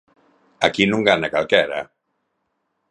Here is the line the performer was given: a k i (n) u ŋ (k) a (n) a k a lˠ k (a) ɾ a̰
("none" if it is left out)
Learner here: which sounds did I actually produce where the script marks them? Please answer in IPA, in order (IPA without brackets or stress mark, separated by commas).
n, ɡ, n, ɛ